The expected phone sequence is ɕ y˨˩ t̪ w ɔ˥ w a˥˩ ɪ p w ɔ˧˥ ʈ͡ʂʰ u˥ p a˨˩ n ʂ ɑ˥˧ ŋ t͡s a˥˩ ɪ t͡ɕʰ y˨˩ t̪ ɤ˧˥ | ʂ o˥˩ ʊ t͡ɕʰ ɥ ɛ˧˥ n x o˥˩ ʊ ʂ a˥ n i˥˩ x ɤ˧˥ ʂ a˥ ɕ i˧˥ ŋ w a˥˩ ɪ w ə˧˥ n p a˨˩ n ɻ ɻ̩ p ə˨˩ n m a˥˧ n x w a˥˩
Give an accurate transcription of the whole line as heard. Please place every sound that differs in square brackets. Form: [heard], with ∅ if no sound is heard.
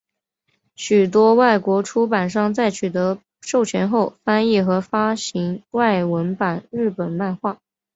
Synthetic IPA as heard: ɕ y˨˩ t̪ w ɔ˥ w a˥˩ ɪ [k] w ɔ˧˥ ʈ͡ʂʰ u˥ p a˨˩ n ʂ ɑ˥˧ ŋ t͡s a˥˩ ɪ t͡ɕʰ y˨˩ t̪ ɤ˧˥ | ʂ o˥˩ ʊ t͡ɕʰ ɥ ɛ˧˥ n x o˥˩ ʊ [f] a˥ n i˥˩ x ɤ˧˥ [f] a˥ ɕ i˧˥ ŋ w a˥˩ ɪ w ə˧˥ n p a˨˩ n ɻ ɻ̩ p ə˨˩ n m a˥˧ n x w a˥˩